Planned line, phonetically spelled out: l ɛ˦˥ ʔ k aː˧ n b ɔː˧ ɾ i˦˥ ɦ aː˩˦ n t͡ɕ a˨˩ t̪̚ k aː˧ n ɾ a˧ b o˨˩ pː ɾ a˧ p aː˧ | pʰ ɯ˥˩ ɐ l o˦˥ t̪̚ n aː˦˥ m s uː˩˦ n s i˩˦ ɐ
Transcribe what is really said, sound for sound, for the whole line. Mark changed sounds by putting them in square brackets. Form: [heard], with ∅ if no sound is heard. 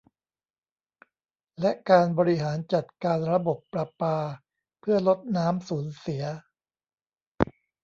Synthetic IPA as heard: l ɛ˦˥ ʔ k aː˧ n b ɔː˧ ɾ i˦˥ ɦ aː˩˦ n t͡ɕ a˨˩ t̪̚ k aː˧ n ɾ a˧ b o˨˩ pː ɾ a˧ p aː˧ | pʰ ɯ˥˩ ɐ l o˦˥ t̪̚ n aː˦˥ m s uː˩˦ n s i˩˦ ɐ